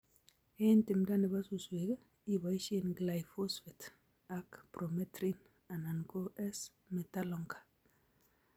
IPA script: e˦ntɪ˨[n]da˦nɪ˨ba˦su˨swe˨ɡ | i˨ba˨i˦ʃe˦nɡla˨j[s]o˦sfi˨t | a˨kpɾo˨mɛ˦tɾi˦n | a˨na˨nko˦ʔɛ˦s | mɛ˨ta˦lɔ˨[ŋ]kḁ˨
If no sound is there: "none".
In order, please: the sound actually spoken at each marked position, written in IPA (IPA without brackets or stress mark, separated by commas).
m, f, ŋ